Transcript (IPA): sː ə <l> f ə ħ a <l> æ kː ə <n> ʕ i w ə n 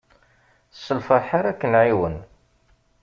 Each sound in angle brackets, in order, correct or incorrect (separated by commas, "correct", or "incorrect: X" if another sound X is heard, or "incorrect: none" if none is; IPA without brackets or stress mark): correct, incorrect: ɾ, correct